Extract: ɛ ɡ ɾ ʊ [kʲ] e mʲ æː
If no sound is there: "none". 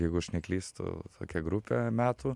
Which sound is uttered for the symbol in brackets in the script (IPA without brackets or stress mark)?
pʲ